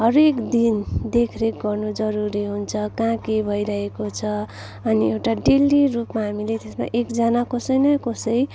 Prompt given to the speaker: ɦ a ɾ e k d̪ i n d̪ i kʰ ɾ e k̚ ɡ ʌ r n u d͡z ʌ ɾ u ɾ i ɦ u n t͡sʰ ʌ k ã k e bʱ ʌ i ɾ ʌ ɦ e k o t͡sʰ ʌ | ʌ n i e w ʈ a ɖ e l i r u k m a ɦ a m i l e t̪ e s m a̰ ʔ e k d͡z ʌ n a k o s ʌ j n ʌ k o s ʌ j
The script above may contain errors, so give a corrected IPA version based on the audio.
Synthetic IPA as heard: ɦ ʌ ɾ e k d̪ i n d̪ e kʰ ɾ e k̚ ɡ ʌ r n u d͡z ʌ ɾ u ɾ i ɦ u n t͡sʰ ʌ k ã k e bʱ ʌ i ɾ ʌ ɦ e k o t͡sʰ ʌ | ʌ n i e w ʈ a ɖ e l i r u p m a ɦ a m i l e t̪ e s m a̰ ʔ e k d͡z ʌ n a k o s ʌ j n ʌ k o s ʌ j